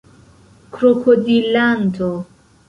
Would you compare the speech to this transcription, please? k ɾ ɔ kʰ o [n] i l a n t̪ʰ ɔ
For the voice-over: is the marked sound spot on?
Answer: no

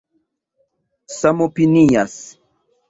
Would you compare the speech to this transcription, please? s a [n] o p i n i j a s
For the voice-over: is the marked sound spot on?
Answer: no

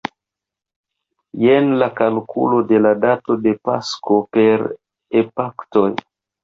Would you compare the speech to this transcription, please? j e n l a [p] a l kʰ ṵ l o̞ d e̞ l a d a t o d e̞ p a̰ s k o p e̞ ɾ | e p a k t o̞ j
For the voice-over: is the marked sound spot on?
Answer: no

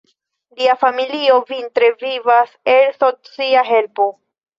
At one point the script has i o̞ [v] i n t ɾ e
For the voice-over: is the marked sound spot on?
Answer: yes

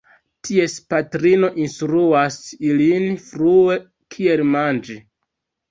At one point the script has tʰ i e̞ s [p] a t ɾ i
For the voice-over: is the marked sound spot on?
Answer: yes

